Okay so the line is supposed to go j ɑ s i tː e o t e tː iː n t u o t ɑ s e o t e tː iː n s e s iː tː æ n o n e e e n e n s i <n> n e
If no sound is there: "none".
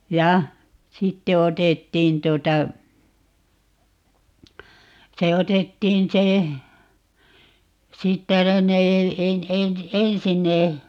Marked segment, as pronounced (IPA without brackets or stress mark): n